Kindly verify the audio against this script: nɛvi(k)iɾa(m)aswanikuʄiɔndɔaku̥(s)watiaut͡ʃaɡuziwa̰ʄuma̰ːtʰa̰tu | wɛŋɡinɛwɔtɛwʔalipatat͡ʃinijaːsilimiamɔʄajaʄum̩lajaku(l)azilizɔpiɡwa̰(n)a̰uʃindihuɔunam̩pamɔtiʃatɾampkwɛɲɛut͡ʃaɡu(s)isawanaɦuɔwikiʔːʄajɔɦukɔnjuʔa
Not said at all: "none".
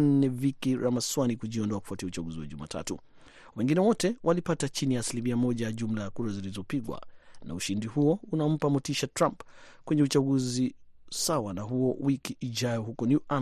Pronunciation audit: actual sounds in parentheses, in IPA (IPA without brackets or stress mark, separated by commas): k, m, f, ɾ, n, z